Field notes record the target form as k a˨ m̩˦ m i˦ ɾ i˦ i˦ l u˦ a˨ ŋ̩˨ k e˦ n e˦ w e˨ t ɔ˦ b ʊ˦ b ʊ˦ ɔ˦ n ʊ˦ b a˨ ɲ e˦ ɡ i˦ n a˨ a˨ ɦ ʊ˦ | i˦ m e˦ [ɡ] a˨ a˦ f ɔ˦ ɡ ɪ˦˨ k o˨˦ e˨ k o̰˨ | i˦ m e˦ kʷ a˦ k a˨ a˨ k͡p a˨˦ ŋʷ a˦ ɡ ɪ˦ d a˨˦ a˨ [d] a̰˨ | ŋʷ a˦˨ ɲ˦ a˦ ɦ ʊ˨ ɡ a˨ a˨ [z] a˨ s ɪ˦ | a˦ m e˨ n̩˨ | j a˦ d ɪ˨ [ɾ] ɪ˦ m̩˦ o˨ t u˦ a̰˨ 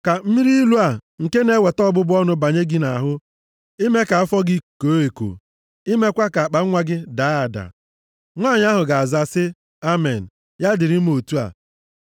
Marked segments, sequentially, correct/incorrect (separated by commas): incorrect, correct, correct, correct